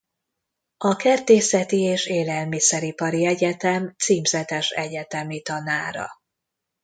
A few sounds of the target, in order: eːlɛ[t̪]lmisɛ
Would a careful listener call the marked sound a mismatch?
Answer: yes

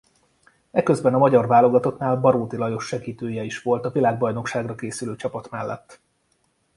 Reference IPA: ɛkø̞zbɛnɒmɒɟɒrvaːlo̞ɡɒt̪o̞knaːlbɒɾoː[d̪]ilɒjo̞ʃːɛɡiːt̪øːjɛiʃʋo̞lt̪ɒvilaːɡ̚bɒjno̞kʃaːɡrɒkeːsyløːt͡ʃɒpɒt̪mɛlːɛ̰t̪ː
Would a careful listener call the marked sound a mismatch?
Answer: yes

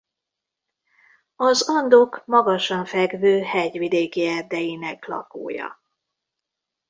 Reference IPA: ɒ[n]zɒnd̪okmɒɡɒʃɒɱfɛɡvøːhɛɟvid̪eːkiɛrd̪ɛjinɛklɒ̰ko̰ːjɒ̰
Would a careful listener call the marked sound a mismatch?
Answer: yes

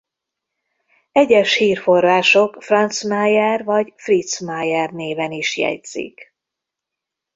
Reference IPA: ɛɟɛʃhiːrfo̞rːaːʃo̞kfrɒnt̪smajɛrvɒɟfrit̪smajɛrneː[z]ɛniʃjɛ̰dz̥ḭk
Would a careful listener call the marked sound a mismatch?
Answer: yes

